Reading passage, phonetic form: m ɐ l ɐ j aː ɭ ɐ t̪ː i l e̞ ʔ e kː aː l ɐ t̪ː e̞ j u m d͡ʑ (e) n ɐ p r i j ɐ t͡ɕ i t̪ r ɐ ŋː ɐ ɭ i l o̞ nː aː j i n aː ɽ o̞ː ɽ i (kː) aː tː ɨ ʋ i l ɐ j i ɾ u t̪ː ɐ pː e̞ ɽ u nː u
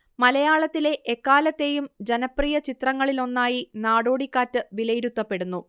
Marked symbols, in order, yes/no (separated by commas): yes, yes